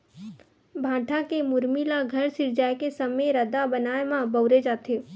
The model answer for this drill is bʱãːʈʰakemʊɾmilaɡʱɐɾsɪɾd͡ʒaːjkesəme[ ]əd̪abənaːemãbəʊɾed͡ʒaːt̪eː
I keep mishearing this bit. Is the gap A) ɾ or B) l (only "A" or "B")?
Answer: A